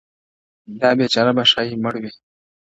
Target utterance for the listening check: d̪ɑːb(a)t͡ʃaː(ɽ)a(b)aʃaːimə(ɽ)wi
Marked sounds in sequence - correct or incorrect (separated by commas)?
incorrect, incorrect, correct, correct